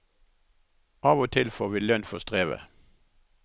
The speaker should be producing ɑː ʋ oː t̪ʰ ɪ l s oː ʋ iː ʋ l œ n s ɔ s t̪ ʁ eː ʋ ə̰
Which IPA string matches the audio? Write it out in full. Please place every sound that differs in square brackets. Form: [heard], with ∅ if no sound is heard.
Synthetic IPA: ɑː ʋ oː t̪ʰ ɪ l [f] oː ʋ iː [∅] l œ n [f] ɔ s t̪ ʁ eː ʋ ə̰